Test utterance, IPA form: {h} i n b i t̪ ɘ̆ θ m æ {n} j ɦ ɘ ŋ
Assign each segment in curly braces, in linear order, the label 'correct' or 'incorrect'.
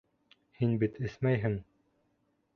correct, incorrect: none

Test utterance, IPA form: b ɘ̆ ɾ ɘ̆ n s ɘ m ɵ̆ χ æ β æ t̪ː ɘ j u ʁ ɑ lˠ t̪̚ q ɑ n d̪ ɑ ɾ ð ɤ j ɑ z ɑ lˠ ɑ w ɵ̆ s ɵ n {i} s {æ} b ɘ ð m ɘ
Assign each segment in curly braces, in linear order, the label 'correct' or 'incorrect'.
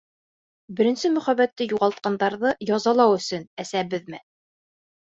incorrect: æ, correct

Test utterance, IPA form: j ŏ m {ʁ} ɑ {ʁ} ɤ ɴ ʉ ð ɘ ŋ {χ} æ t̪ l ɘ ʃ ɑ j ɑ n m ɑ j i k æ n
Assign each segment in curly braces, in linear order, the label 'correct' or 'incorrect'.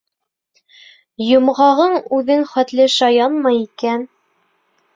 correct, correct, correct

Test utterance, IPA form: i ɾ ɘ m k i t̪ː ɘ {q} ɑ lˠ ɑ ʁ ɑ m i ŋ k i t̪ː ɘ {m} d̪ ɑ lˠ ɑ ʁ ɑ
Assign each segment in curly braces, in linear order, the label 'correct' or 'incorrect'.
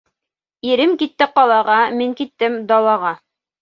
correct, correct

